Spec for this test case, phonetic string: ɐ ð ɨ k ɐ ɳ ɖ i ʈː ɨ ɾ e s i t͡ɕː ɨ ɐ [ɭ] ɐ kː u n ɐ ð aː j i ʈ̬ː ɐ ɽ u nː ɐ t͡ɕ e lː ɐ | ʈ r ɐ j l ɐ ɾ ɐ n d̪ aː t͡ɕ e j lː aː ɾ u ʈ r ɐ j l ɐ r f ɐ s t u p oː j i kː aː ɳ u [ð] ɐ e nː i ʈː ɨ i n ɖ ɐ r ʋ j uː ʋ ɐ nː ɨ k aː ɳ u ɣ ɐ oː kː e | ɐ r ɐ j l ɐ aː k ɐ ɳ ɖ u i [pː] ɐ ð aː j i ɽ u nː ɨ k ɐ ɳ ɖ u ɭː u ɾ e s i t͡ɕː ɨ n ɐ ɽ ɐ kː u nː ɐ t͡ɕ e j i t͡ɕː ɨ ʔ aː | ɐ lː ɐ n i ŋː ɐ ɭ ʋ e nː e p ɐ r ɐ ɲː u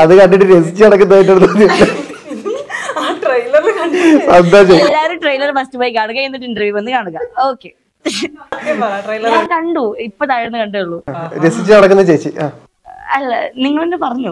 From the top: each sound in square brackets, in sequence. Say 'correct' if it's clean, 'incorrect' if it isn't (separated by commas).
incorrect, incorrect, correct